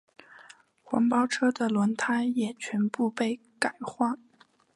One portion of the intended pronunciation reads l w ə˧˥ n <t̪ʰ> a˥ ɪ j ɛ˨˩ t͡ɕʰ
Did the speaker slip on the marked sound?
no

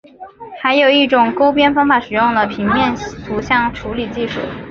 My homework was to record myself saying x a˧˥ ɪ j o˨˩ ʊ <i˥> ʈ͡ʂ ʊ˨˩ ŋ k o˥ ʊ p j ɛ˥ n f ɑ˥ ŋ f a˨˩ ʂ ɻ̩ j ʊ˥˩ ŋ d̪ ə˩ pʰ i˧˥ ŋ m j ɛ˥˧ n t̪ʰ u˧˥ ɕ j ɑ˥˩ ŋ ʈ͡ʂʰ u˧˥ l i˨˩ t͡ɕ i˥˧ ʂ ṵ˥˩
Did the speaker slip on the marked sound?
yes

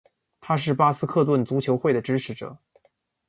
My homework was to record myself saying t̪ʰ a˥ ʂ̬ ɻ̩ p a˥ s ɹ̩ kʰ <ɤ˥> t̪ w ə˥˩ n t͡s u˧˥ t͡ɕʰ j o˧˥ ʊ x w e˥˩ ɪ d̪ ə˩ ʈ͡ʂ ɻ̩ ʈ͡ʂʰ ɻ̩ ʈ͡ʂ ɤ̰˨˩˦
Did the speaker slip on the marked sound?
yes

